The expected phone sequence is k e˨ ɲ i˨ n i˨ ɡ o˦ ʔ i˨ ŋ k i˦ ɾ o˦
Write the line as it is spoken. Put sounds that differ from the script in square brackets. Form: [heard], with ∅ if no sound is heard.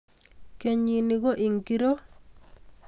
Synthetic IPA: k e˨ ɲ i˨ n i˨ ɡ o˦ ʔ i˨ ŋ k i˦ ɾ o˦